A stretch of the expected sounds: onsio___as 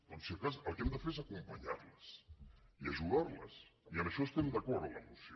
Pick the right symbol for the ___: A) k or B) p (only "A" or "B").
A